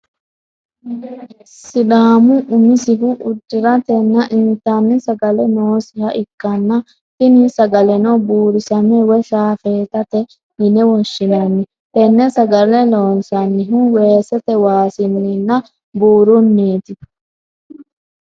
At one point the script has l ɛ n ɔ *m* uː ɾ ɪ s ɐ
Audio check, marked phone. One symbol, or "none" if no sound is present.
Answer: b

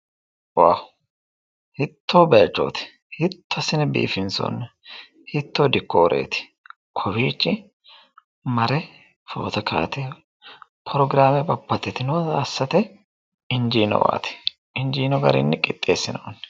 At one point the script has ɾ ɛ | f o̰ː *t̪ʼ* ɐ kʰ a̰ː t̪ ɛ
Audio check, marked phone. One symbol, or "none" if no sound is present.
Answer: t̪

